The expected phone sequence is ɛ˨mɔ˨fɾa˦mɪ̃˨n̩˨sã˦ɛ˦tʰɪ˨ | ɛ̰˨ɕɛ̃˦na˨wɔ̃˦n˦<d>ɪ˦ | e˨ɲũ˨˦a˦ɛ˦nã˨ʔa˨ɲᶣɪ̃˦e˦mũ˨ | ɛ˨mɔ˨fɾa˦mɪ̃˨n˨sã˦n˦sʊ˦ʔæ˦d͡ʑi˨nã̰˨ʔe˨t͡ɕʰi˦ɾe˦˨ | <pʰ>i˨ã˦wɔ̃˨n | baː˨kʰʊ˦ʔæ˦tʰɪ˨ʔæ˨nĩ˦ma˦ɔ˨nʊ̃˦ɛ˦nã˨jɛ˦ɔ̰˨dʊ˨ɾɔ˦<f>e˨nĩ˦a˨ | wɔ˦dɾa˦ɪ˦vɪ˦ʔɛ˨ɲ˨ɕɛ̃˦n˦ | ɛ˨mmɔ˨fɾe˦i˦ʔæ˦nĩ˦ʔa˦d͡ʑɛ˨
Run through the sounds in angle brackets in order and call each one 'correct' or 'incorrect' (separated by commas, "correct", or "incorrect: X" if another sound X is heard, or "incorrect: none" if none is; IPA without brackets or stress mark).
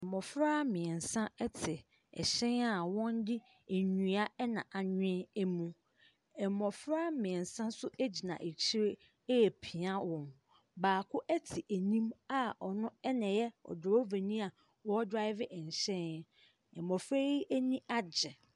correct, correct, incorrect: v